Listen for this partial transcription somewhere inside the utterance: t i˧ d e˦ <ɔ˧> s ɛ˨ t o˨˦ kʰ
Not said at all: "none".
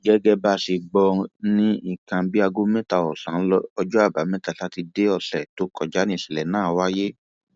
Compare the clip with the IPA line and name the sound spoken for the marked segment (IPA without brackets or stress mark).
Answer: ɔ˧